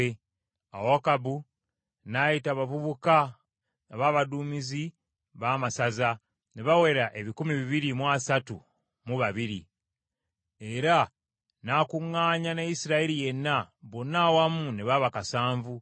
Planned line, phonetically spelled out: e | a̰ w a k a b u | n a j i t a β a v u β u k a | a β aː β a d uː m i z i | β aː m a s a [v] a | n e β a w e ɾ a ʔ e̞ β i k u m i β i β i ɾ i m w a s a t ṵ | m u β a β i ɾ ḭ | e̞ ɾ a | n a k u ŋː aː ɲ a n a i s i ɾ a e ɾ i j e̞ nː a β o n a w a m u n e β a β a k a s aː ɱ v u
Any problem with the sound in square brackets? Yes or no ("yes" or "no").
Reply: yes